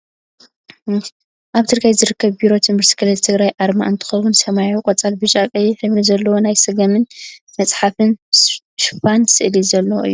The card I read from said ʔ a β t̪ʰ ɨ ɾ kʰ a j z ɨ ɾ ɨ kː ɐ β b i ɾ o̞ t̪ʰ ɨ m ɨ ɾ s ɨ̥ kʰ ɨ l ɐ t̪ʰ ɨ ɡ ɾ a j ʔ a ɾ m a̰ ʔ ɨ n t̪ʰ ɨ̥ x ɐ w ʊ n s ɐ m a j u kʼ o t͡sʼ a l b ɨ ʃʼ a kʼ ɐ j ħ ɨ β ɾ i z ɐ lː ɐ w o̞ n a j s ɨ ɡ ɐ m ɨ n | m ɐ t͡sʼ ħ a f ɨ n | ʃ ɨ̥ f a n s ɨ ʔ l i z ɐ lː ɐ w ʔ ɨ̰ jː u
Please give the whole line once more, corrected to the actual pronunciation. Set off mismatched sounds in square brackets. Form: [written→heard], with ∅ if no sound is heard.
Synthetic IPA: ʔ a β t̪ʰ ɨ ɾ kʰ a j z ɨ ɾ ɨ kː ɐ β b i ɾ o̞ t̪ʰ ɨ m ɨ ɾ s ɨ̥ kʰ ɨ l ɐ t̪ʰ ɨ ɡ ɾ a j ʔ a ɾ m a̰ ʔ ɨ n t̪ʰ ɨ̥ x ɐ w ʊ n s ɐ m a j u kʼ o t͡sʼ a l b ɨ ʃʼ a kʼ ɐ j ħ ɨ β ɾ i z ɐ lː ɐ w o̞ n a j s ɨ ɡ ɐ m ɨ n | m ɐ t͡sʼ ħ a f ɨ n | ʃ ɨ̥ f a n s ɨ ʔ l i z ɐ lː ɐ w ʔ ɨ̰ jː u

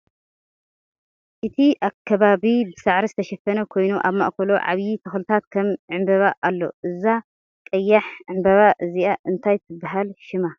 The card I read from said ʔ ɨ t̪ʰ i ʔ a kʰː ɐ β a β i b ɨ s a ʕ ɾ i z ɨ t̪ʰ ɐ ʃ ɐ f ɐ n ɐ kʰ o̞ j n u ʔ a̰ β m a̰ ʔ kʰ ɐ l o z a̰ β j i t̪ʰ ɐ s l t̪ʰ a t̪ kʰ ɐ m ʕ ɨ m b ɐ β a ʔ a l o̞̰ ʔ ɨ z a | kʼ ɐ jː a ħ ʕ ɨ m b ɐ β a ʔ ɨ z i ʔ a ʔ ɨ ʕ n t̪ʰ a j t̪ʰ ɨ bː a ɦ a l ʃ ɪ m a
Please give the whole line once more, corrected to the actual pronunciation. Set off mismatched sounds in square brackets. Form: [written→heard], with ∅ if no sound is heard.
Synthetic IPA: ʔ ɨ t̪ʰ i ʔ a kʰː ɐ β a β i b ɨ s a ʕ ɾ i z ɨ t̪ʰ ɐ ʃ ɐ f ɐ n ɐ kʰ o̞ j n u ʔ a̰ β m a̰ ʔ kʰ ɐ l o [z→ʕ] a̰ β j i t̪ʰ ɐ [s→x] l t̪ʰ a t̪ kʰ ɐ m ʕ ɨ m b ɐ β a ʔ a [l→lː] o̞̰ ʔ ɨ z a | kʼ ɐ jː a ħ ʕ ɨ m b ɐ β a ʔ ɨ z i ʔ a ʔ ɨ [ʕ→∅] n t̪ʰ a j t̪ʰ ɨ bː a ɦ a l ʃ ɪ m a

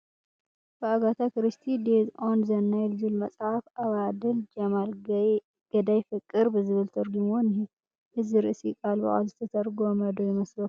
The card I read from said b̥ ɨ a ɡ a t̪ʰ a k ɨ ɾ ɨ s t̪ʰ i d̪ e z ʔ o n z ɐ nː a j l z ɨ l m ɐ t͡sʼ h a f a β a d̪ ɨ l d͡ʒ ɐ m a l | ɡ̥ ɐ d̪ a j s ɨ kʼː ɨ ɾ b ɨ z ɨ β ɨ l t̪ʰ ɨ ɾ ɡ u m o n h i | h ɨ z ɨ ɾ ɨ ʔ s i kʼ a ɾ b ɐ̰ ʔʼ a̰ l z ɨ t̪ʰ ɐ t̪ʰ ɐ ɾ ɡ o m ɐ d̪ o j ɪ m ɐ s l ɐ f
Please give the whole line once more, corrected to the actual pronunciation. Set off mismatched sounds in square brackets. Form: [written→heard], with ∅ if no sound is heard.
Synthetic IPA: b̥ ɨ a ɡ a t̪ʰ a k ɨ ɾ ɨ s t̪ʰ i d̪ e z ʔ o n z ɐ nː a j l z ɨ l m ɐ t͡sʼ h a f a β a d̪ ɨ l d͡ʒ ɐ m a l | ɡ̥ ɐ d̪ a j [s→f] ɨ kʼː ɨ ɾ b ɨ z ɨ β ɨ l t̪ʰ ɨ ɾ ɡ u m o n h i | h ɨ z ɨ ɾ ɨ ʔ s i kʼ a [ɾ→l] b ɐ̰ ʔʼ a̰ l z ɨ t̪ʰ ɐ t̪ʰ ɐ ɾ ɡ o m ɐ d̪ o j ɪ m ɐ s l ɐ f

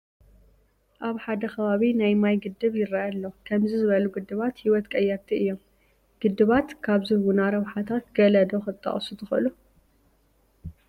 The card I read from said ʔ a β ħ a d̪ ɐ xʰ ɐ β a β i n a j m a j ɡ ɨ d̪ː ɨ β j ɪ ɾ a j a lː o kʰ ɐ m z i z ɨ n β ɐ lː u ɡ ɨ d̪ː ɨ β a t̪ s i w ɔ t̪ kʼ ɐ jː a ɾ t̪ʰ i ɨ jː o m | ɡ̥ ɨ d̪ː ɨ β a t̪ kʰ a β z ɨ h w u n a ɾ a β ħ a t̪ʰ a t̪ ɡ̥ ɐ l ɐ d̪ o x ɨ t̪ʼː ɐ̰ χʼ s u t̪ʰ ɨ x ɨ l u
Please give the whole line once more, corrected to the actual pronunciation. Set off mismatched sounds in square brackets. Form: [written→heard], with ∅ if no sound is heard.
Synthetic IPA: ʔ a β ħ a d̪ ɐ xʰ ɐ β a β i n a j m a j ɡ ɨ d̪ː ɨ β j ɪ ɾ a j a lː o kʰ ɐ m z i z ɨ [n→∅] β ɐ [lː→l] u ɡ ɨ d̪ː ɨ β a t̪ [s→h] i w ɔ t̪ kʼ ɐ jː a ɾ t̪ʰ i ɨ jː o m | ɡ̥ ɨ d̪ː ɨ β a t̪ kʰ a β z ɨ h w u n a ɾ [a→ɐ] β ħ a t̪ʰ a t̪ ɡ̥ ɐ l ɐ d̪ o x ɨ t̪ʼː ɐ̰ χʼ s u t̪ʰ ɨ x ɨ l u

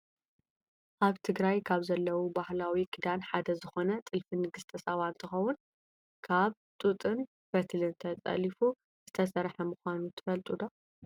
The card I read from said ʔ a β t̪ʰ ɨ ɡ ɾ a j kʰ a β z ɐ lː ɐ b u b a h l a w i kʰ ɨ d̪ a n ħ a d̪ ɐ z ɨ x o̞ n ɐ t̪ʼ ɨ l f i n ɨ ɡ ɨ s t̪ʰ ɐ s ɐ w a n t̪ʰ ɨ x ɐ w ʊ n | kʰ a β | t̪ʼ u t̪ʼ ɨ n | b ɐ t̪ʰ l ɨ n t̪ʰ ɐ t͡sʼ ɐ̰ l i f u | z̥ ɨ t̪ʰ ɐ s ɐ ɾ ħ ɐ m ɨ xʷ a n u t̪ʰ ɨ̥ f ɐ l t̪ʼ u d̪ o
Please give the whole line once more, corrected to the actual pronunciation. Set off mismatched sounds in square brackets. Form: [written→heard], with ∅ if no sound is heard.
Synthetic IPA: ʔ a β t̪ʰ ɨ ɡ ɾ a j kʰ a β z ɐ lː ɐ [b→w] u b a h l a w i kʰ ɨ d̪ a n ħ a d̪ ɐ z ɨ x o̞ n ɐ t̪ʼ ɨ l f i n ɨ ɡ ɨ s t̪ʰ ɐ s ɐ [w→β] a n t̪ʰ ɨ x ɐ w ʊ n | kʰ a β | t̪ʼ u t̪ʼ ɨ n | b ɐ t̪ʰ l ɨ n t̪ʰ ɐ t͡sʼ ɐ̰ l i f u | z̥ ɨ t̪ʰ ɐ s ɐ ɾ ħ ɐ m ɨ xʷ a n u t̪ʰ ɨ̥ f ɐ l t̪ʼ u d̪ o

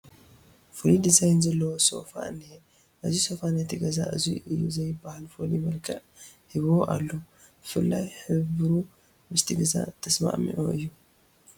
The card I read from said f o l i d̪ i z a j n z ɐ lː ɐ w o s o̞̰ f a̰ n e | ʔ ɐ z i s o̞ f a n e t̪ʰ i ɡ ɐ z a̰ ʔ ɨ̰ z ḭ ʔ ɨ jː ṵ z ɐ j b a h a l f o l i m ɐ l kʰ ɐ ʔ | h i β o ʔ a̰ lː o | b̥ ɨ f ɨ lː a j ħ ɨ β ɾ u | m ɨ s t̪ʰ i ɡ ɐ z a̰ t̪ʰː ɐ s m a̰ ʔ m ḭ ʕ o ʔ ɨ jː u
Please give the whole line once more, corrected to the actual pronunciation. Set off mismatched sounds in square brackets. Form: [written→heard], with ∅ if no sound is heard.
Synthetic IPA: f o l i d̪ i z a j n z ɐ lː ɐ w o s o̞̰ f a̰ n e | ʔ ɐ z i s o̞ f a n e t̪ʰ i ɡ ɐ z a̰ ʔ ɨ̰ z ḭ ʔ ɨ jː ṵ z ɐ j b a h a l f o l i m ɐ l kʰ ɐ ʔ | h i β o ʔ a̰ lː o | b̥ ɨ f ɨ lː a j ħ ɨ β ɾ u | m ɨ s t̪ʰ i ɡ ɐ z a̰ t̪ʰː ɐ s m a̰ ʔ m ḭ ʕ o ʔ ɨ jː u

